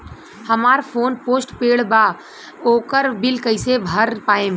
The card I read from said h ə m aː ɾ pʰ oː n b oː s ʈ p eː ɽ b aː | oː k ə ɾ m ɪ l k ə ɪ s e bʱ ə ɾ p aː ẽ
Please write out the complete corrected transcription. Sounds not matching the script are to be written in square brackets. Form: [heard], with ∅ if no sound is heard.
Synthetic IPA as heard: h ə m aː ɾ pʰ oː n [p] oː s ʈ p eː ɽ b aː | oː k ə ɾ [b] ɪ l k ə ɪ s e bʱ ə ɾ p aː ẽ